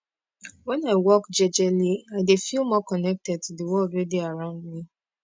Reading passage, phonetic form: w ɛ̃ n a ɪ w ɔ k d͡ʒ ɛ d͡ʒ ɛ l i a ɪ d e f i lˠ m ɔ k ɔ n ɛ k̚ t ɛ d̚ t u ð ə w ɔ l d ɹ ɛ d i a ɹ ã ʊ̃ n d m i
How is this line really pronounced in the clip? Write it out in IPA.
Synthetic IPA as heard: w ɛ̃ n a ɪ w ɔ k d͡ʒ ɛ d͡ʒ ɛ l i a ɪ d e f i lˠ m ɔ k ɔ n ɛ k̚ t ɛ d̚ t u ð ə w ɔ l d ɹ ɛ d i a ɹ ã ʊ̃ n d m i